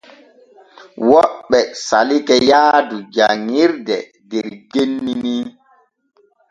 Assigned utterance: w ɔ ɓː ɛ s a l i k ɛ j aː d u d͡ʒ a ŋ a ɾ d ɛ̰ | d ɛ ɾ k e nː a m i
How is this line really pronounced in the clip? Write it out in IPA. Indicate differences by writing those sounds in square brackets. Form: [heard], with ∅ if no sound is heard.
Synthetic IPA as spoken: w ɔ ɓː ɛ s a l i k ɛ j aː d u d͡ʒ a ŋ [i] ɾ d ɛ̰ | d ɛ ɾ [ɡ] e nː [i] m i